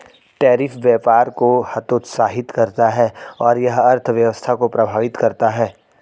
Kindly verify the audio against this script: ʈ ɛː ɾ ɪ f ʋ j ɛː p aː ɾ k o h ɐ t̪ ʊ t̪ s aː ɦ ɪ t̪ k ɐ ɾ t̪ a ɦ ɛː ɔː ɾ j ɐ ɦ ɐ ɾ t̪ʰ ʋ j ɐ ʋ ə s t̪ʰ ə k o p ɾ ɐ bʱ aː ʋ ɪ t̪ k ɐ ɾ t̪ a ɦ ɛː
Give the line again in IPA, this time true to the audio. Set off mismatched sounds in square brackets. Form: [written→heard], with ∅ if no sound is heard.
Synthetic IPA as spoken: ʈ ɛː ɾ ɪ f ʋ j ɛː p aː ɾ k o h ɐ t̪ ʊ t̪ s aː ɦ ɪ t̪ k ɐ ɾ t̪ a ɦ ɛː ɔː ɾ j ɐ ɦ ɐ ɾ t̪ʰ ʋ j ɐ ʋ ə s t̪ʰ [ə→a] k o p ɾ ɐ bʱ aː ʋ ɪ t̪ k ɐ ɾ t̪ a ɦ ɛː